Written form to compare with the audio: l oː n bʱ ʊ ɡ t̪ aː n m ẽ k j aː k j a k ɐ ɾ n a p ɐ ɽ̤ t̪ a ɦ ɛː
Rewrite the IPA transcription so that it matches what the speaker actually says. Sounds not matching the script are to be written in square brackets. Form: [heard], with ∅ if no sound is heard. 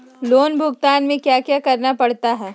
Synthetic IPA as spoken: l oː n bʱ ʊ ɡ t̪ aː n m ẽ k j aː k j a k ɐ ɾ n a p ɐ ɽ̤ t̪ a ɦ ɛː